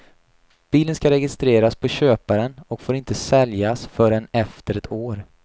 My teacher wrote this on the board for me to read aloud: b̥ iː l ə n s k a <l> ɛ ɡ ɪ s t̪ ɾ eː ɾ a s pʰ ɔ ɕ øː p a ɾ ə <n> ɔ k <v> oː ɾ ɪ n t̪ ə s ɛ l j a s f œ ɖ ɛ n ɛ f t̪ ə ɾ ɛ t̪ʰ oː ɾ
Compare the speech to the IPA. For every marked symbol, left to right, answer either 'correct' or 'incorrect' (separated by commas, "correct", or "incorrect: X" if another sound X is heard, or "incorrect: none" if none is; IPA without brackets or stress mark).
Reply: incorrect: ɾ, correct, incorrect: f